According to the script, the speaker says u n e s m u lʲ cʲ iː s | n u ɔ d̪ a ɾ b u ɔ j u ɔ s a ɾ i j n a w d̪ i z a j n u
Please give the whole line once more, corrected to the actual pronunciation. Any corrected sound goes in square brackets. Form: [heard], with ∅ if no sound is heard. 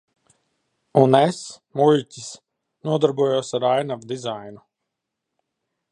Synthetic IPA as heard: u n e s m u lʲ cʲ [i] s | n u ɔ d̪ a ɾ b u ɔ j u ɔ s a ɾ [a] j n a [v] d̪ i z a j n u

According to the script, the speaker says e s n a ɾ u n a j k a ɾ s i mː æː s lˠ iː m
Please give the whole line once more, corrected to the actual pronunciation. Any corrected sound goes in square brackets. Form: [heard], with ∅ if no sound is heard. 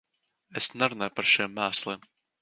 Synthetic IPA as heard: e s n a ɾ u n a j [p] a ɾ [ʃ] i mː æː s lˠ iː m

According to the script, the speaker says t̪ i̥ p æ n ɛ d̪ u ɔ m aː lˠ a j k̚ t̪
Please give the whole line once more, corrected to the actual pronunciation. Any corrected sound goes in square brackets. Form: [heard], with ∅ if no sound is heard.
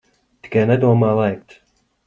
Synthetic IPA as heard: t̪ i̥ [k] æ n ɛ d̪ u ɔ m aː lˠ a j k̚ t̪

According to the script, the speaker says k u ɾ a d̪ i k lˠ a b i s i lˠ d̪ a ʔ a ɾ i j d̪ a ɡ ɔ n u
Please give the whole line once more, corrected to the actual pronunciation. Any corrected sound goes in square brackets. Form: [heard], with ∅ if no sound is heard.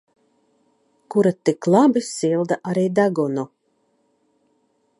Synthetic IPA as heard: k u ɾ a [t̪] i k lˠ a b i s i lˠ d̪ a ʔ a ɾ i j d̪ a ɡ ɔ n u

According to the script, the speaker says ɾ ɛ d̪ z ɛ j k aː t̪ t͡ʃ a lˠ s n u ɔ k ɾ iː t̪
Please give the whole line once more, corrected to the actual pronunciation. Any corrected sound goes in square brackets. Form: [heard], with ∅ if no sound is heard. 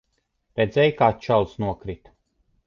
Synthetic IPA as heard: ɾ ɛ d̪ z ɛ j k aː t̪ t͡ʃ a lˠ s n u ɔ k ɾ [i] t̪

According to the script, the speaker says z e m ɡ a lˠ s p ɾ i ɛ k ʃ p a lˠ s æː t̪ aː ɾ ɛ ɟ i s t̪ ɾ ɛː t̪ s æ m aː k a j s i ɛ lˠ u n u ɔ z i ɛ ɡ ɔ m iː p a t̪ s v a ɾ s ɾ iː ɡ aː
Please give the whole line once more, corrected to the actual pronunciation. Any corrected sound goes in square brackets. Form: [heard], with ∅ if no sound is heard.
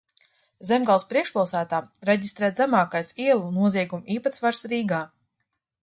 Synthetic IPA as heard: z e m ɡ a lˠ s p ɾ i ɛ k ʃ p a lˠ s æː t̪ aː ɾ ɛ ɟ i s t̪ ɾ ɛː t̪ [z] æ m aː k a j s i ɛ lˠ u n u ɔ z i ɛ ɡ [u] m iː p a t̪ s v a ɾ s ɾ iː ɡ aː

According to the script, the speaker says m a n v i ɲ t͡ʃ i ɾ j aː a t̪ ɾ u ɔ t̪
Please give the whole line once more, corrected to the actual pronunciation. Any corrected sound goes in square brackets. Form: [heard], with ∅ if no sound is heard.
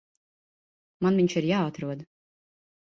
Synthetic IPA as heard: m a n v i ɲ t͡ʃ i ɾ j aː a t̪ ɾ u ɔ [d̪]

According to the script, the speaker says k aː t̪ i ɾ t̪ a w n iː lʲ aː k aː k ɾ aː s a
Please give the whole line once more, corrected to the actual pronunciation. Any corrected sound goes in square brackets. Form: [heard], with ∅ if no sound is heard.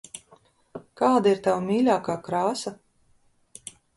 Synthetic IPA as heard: k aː [d̪] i ɾ t̪ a w [m] iː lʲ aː k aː k ɾ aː s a

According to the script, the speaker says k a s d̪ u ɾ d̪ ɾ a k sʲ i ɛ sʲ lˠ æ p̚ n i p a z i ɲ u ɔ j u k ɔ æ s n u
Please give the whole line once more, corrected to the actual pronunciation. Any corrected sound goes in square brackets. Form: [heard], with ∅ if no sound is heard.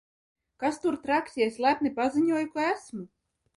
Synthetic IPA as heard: k a s [t̪] u ɾ [t̪] ɾ a k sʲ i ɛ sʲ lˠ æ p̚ n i p a z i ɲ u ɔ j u k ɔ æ s [m] u

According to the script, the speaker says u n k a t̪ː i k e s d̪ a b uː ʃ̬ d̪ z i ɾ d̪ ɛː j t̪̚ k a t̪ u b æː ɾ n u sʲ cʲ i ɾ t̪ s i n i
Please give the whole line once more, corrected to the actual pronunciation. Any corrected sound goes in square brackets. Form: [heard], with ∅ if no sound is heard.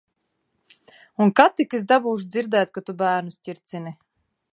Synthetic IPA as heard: u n k a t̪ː i k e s d̪ a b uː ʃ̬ d̪ z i ɾ d̪ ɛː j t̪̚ k a t̪ u b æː ɾ n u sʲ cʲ i ɾ t̪ s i n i

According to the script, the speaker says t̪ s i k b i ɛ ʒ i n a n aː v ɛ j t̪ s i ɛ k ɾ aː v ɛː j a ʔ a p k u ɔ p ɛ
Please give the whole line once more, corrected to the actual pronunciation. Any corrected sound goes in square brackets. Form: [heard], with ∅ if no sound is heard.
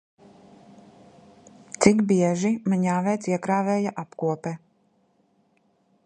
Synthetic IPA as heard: t̪ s i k b i ɛ ʒ i [m] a [ɲ] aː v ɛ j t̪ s i ɛ k ɾ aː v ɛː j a ʔ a p k u ɔ p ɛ

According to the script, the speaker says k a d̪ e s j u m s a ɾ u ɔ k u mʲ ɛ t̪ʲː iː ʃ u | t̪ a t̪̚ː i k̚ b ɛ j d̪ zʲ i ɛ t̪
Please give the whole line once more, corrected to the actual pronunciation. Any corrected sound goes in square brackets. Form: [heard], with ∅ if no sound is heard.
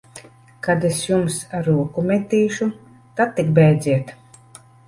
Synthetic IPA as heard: k a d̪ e s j u m s a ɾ u ɔ k u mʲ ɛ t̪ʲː iː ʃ u | t̪ a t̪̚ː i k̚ b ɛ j d̪ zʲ i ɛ t̪

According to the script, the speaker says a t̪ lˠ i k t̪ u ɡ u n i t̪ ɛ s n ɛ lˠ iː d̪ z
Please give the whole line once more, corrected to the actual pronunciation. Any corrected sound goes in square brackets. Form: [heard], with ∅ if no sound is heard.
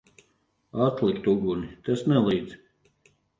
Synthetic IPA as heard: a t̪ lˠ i k t̪ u ɡ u n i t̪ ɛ s n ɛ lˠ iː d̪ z

